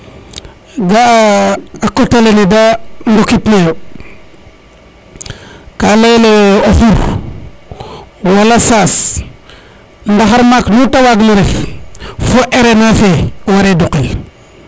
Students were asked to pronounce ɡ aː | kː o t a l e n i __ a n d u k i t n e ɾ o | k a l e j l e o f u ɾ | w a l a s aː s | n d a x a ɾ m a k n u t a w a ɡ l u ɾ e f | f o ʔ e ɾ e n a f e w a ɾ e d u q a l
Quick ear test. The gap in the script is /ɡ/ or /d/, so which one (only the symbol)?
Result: d